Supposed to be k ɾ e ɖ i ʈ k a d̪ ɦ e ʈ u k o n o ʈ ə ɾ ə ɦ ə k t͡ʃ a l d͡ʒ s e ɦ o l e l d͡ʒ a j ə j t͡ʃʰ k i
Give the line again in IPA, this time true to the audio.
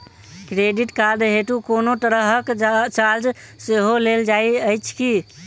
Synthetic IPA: k ɾ e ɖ i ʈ k a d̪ ɦ e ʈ u k o n o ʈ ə ɾ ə ɦ ə k t͡ʃ a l d͡ʒ s e ɦ o l e l d͡ʒ a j ə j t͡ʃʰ k i